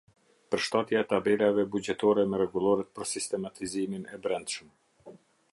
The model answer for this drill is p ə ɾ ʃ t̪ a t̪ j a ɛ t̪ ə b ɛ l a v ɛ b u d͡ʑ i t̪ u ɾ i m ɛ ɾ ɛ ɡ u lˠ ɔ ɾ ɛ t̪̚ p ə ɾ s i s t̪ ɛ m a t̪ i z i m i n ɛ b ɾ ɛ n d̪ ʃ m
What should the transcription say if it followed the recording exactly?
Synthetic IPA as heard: p ə ɾ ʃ t̪ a t̪ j a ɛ t̪ a b ɛ l a v ɛ b u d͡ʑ ɛ t̪ ɔ ɾ ɛ m ɛ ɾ ɛ ɡ u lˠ ɔ ɾ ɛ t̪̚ p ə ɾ s i s t̪ ɛ m a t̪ i z i m i n ɛ b ɾ ɛ n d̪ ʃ m

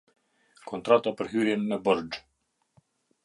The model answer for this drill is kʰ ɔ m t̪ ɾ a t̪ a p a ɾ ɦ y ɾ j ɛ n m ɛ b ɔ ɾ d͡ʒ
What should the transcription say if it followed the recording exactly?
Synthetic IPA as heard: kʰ ɔ n t̪ ɾ a t̪ a p ə ɾ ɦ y ɾ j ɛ n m ɛ b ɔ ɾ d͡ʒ

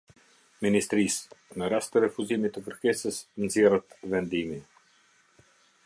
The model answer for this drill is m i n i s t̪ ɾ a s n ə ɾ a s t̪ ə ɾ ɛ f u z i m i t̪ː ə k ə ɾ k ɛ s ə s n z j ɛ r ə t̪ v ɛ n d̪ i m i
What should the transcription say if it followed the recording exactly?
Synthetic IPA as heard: m i n i s t̪ ɾ i s n ə ɾ a s t̪ ə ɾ ɛ f u z i m i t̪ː ə k ə ɾ k ɛ s ə s n z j ɛ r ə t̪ v ɛ n d̪ i m i

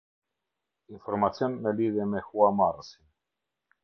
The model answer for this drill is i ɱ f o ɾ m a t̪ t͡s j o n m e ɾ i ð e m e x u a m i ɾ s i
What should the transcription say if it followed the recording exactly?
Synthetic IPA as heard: i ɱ f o ɾ m a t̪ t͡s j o n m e l i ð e m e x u a m a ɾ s i

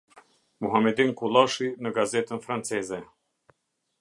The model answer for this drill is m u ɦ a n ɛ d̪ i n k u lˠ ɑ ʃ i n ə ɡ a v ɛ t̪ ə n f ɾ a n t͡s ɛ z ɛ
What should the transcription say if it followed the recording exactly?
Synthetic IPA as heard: m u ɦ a m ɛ d̪ i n k u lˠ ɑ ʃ i n ə ɡ a z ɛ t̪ ə n f ɾ a n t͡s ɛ z ɛ

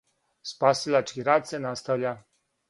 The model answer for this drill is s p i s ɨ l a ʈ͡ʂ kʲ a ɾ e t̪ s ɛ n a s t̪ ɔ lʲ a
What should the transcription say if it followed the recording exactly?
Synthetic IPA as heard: s p a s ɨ l a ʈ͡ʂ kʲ i ɾ a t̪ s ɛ n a s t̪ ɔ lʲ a

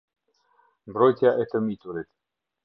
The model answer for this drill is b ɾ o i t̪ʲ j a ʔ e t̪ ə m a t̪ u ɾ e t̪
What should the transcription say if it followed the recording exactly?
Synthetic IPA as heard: b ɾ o j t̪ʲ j a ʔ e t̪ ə m i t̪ u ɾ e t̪

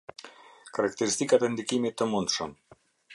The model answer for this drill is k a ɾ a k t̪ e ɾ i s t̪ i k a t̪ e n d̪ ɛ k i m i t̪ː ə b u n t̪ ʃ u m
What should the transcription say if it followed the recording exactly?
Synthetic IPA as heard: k a ɾ a k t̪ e ɾ i s t̪ i k a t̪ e n d̪ i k i m i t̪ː ə m u n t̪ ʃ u m

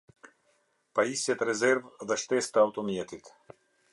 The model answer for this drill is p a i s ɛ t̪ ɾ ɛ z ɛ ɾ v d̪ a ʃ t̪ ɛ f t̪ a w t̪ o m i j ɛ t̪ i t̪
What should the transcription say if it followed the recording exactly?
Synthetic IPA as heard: p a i s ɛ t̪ ɾ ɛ z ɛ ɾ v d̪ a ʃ t̪ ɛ s t̪ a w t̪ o m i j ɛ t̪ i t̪

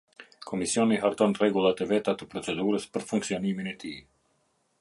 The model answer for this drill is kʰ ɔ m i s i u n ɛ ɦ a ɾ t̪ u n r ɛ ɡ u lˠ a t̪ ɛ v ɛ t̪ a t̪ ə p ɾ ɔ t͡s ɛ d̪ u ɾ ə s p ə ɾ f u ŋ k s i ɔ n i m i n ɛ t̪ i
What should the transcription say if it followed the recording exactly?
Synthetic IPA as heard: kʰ ɔ m i s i ɔ n i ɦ a ɾ t̪ ɔ n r ɛ ɡ u lˠ a t̪ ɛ v ɛ t̪ a t̪ ə p ɾ ɔ t͡s ɛ d̪ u ɾ ə s p ə ɾ f u ŋ k s i ɔ n i m i n ɛ t̪ i

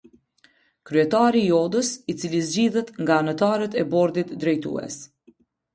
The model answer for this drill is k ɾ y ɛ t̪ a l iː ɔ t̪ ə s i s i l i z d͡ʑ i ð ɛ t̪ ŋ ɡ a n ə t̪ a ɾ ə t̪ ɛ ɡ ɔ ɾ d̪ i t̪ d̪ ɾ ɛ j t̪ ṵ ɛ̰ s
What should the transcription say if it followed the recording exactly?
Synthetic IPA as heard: k ɾ y ɛ t̪ a ɾ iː ɔ d̪ ə s i t͡s i l i z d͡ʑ i ð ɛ t̪ ŋ ɡ a n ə t̪ a ɾ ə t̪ ɛ b ɔ ɾ d̪ i t̪ d̪ ɾ ɛ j t̪ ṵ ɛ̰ s

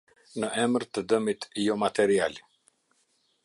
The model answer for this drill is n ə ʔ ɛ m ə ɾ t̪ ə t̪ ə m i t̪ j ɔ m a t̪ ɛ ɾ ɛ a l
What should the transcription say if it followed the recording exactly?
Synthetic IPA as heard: n ə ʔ ɛ m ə ɾ t̪ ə d̪ ə m i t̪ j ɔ m a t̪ ɛ ɾ i a l

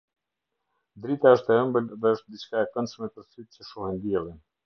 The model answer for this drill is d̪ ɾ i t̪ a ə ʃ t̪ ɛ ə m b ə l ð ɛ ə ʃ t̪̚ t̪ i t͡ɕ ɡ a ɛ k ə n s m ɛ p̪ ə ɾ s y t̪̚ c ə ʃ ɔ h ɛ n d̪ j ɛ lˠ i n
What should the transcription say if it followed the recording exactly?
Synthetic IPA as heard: d̪ ɾ i t̪ a ə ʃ t̪ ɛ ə m b ə l ð ɛ ə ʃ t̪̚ d̪ i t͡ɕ k a ɛ k ə n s m ɛ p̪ ə ɾ s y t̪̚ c ə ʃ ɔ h ɛ n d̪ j ɛ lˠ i n

